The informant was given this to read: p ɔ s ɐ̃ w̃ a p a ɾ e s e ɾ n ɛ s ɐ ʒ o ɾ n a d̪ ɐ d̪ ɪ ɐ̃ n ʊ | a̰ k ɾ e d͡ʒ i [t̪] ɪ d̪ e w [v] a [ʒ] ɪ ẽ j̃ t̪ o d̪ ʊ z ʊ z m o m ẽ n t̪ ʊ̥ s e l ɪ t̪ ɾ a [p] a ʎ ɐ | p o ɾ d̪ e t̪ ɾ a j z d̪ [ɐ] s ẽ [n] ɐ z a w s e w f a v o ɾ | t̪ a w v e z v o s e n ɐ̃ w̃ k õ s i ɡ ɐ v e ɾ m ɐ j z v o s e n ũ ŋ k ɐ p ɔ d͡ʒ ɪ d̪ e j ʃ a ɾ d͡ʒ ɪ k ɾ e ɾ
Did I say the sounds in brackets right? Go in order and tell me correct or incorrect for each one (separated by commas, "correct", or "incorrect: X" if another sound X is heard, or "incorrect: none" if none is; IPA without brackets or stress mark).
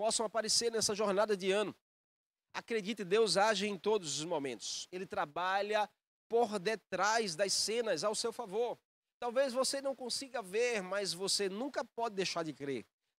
correct, incorrect: z, correct, incorrect: b, correct, correct